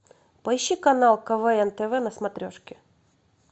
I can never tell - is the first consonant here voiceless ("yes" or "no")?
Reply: yes